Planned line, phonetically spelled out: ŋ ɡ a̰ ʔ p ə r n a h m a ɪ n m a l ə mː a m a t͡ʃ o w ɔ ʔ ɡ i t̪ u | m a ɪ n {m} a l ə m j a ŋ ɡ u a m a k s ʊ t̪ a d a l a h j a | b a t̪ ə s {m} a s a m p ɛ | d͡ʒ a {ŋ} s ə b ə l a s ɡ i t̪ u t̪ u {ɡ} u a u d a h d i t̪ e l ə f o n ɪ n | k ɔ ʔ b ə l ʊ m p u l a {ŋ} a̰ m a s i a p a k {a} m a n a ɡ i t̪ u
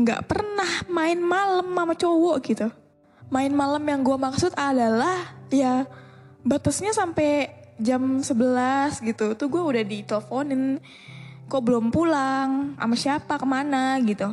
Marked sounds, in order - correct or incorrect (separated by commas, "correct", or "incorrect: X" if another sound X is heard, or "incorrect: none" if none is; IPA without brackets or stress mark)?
correct, incorrect: ɲ, incorrect: m, correct, correct, incorrect: ə